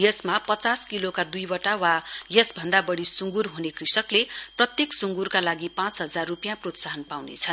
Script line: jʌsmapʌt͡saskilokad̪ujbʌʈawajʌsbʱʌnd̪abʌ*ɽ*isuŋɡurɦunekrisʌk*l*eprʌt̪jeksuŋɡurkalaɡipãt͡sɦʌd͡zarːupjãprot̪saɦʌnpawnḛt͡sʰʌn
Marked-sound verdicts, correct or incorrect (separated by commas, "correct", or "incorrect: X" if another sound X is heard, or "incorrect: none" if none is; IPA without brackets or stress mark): correct, correct